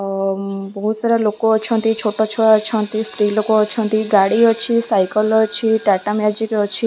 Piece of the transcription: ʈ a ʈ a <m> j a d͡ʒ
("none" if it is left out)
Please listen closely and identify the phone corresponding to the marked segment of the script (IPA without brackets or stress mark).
m